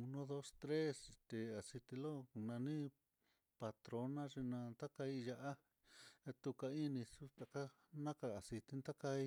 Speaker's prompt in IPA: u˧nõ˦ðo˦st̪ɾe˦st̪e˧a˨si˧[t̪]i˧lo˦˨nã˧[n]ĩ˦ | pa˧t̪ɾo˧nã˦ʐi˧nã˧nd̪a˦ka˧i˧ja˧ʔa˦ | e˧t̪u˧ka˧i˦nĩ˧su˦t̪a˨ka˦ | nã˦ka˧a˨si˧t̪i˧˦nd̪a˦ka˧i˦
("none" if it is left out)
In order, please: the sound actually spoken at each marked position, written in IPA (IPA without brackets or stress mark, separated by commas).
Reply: t̪, n